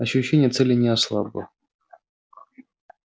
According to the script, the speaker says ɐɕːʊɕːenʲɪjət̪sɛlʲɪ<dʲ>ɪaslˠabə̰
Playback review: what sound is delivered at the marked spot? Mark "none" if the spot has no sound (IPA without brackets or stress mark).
nʲ